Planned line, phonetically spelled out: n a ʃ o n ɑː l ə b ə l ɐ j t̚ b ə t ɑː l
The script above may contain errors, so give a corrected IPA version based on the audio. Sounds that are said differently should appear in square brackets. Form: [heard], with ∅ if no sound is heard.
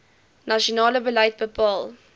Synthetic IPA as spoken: n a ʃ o n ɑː l ə b ə l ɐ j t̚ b ə [p] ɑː l